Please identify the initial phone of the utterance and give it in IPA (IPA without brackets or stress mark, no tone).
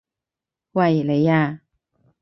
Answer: w